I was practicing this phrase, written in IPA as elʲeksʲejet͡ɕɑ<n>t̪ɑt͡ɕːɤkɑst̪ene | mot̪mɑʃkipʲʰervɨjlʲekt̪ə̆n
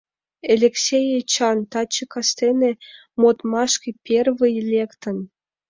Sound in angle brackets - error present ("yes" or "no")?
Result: no